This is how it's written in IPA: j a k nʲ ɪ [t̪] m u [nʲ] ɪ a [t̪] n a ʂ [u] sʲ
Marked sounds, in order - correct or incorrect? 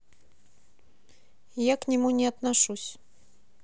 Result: incorrect, correct, correct, correct

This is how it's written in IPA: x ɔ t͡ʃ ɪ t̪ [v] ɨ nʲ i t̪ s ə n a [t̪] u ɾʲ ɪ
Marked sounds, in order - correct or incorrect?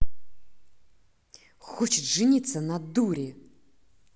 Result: incorrect, incorrect

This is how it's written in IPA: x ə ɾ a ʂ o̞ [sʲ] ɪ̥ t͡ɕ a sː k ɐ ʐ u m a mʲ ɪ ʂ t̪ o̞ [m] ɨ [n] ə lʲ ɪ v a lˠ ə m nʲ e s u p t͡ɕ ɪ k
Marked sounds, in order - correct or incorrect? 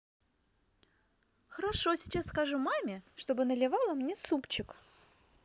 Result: correct, incorrect, correct

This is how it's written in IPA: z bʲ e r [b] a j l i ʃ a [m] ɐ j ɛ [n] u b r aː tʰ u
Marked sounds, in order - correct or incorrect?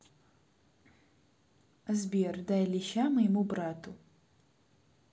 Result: incorrect, correct, incorrect

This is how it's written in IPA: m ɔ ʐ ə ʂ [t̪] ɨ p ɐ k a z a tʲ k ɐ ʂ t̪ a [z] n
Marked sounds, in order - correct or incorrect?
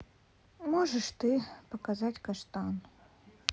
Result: correct, incorrect

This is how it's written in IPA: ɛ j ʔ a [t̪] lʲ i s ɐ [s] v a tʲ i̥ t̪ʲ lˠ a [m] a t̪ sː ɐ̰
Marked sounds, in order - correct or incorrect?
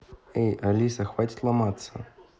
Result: incorrect, incorrect, correct

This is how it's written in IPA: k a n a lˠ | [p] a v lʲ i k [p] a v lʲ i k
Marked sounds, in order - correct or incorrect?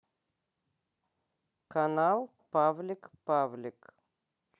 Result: correct, correct

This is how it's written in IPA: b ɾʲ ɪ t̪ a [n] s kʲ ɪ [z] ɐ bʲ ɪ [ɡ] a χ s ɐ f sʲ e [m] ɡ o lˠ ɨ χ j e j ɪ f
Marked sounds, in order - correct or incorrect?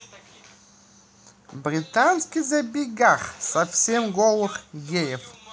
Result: correct, correct, correct, correct

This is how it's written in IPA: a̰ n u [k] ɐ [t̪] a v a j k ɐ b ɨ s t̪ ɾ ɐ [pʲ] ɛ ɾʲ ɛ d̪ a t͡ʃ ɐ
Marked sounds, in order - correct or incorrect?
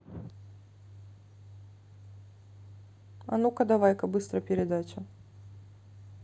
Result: correct, incorrect, correct

